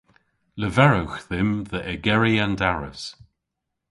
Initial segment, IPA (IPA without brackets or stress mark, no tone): l